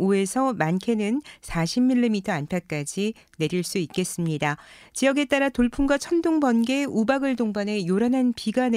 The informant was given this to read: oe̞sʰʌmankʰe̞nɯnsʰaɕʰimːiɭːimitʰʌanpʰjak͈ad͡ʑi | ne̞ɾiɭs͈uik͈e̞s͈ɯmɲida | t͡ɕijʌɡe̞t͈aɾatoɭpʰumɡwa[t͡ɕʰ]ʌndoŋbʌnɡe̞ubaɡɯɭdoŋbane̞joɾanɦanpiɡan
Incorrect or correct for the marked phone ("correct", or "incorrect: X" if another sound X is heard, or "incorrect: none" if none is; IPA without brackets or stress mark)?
correct